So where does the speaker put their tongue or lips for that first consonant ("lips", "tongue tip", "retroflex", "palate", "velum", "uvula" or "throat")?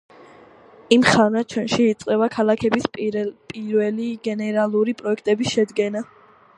lips